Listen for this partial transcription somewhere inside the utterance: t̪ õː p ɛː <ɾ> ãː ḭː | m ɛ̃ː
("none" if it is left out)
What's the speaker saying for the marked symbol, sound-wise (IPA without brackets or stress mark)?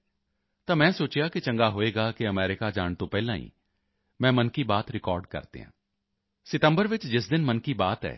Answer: l